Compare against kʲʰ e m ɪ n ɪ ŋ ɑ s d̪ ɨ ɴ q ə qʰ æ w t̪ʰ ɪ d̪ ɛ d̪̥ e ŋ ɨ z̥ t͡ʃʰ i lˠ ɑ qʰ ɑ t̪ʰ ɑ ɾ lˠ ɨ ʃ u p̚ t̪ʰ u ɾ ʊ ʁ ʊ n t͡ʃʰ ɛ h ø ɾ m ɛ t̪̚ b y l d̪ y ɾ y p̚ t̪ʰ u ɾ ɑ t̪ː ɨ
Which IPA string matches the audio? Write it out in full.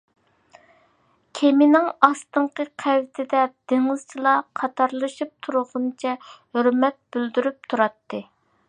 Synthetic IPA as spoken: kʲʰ e m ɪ n ɪ ŋ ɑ s t̪ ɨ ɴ q ə qʰ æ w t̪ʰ ɪ d̪ ɛ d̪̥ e ŋ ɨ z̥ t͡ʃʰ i lˠ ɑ qʰ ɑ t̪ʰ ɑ ɾ lˠ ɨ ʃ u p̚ t̪ʰ u ɾ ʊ ʁ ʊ n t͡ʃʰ ɛ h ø ɾ m ɛ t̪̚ b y l d̪ y ɾ y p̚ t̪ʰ u ɾ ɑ t̪ː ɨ